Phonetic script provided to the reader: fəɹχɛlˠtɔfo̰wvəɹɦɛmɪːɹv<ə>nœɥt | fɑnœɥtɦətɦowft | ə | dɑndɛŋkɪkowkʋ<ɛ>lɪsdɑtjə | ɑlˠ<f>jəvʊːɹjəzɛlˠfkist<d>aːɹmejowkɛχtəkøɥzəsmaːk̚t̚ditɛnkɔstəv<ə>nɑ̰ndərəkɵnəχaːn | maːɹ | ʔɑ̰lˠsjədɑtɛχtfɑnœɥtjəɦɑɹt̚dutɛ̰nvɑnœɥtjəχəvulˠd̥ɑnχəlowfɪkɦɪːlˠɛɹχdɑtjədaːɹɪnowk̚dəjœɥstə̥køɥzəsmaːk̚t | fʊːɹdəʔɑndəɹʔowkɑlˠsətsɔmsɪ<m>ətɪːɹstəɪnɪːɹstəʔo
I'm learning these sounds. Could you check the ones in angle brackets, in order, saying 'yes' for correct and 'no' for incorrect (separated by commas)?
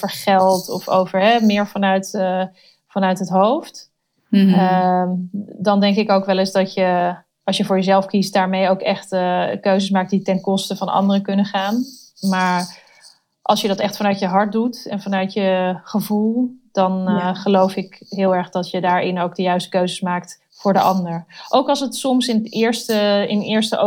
no, yes, no, yes, no, no